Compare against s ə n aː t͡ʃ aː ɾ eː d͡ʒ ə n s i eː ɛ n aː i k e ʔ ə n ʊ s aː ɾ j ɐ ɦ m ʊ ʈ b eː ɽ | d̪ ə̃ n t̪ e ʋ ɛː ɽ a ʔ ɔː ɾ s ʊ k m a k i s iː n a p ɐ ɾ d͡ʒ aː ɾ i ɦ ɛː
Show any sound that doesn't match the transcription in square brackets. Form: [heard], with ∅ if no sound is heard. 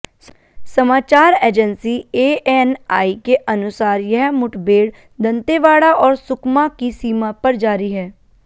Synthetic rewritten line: s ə [m] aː t͡ʃ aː ɾ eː d͡ʒ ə n s i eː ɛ n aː i k e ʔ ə n ʊ s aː ɾ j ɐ ɦ m ʊ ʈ b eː ɽ | d̪ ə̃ n t̪ e ʋ [aː] ɽ a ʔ ɔː ɾ s ʊ k m a k i s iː [m] a p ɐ ɾ d͡ʒ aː ɾ i ɦ ɛː

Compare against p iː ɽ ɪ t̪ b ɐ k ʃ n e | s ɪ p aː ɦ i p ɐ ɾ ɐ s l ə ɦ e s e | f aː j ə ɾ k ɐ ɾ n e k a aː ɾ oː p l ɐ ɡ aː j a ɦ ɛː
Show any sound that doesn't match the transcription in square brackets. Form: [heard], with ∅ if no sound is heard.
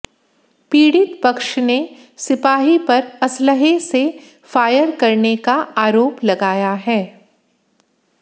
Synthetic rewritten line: p iː ɽ ɪ t̪ [p] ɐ k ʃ n e | s ɪ p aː ɦ i p ɐ ɾ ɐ s l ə ɦ e s e | f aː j ə ɾ k ɐ ɾ n e k a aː ɾ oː p l ɐ ɡ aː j a ɦ ɛː

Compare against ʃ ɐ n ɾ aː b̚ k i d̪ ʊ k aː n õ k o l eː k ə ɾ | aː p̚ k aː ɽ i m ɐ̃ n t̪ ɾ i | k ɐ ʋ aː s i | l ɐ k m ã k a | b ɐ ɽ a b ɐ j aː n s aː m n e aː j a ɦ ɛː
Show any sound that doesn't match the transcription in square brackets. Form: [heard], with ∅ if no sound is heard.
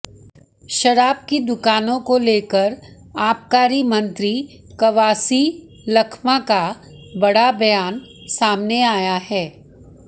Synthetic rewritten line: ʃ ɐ [∅] ɾ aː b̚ k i d̪ ʊ k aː n õ k o l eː k ə ɾ | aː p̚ k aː [ɾ] i m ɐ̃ n t̪ ɾ i | k ɐ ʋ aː s i | l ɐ [kʰ] m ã k a | b ɐ ɽ a b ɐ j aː n s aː m n e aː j a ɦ ɛː

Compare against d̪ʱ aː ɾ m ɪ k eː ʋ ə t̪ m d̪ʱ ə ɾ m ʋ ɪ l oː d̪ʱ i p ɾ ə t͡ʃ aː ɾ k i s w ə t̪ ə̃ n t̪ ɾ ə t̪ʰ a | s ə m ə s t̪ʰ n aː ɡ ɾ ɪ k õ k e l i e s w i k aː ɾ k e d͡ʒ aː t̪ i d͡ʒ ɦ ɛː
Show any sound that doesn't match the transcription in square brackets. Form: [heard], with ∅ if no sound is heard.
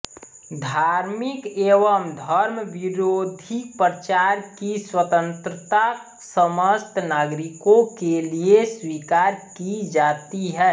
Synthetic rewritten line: d̪ʱ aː ɾ m ɪ k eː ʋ ə [∅] m d̪ʱ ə ɾ m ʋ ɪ [ɾ] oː d̪ʱ i p ɾ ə t͡ʃ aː ɾ k i s w ə t̪ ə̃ n t̪ ɾ ə [t̪] a | s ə m ə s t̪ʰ n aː ɡ ɾ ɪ k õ k e l i e s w i k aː ɾ k [i] d͡ʒ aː t̪ i [∅] ɦ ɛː

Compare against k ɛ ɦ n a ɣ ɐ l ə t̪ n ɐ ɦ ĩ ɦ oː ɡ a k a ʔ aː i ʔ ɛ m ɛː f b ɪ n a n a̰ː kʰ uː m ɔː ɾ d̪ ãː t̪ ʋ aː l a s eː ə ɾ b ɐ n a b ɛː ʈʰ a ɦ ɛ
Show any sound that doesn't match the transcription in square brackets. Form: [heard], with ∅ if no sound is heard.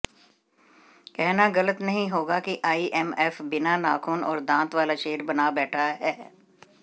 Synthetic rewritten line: k ɛ ɦ n a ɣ ɐ l ə t̪ n ɐ ɦ ĩ ɦ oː ɡ a k [i] ʔ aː i ʔ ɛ m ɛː f b ɪ n a n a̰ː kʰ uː [n] ɔː ɾ d̪ ãː t̪ ʋ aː l a [ʃ] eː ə ɾ b ɐ n a b ɛː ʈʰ a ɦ [ɛː]

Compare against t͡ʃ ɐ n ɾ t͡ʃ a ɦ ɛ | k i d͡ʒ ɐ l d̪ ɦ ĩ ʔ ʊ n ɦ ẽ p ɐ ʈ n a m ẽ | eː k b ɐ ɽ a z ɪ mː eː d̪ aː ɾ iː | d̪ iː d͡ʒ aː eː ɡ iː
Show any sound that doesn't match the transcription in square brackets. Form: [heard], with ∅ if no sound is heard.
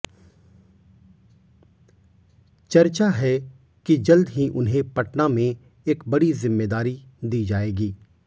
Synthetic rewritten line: t͡ʃ ɐ [∅] ɾ t͡ʃ a ɦ ɛ | k i d͡ʒ ɐ l d̪ ɦ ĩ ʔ ʊ n ɦ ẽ p ɐ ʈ n a m ẽ | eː k b ɐ ɽ [i] z ɪ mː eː d̪ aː ɾ [i] | d̪ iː d͡ʒ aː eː ɡ iː

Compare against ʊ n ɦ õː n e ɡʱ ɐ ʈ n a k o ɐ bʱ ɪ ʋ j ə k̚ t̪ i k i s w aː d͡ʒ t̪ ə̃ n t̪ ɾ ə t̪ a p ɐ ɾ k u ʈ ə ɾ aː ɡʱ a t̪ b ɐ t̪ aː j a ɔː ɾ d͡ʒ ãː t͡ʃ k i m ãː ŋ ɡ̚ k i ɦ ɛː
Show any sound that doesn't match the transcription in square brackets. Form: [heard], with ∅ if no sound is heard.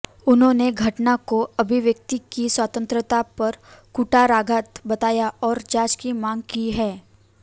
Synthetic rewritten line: ʊ n ɦ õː n e ɡʱ ɐ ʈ n a k o ɐ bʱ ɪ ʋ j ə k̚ t̪ i k i s w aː [∅] t̪ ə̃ n t̪ ɾ ə t̪ a p ɐ ɾ k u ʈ [a] ɾ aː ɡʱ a t̪ b ɐ t̪ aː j a ɔː ɾ d͡ʒ [aː] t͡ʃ k i m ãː ŋ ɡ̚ k i ɦ ɛː

